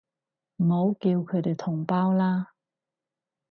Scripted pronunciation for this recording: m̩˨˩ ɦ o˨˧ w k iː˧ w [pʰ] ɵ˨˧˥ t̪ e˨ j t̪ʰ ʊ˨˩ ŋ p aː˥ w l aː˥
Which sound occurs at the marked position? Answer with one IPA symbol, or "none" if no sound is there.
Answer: kʰ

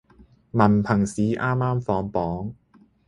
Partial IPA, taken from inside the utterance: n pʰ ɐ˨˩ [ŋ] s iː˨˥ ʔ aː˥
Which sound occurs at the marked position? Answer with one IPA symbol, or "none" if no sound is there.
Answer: ŋ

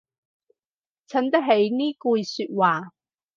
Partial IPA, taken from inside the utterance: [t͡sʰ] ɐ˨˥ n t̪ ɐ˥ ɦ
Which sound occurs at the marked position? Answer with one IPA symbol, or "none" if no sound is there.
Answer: t͡sʰ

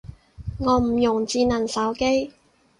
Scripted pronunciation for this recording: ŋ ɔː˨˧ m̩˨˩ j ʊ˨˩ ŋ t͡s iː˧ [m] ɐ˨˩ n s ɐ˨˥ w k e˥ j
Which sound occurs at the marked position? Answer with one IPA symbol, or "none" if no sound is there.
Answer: n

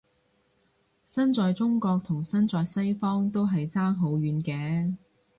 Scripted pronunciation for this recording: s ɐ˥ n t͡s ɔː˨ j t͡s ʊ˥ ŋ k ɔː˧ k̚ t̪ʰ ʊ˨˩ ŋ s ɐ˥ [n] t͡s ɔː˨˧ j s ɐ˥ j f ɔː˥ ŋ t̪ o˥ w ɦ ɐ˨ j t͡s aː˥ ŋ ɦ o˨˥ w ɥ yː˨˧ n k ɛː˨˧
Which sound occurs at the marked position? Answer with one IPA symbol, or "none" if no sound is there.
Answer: n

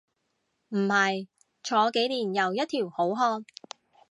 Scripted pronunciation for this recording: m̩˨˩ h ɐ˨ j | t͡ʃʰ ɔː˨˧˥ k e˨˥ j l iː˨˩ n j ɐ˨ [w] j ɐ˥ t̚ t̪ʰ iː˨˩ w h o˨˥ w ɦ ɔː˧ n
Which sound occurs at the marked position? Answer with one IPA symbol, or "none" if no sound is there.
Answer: w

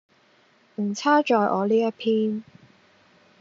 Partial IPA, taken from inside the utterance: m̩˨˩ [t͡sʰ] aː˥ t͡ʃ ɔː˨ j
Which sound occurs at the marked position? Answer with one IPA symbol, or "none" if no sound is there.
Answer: t͡sʰ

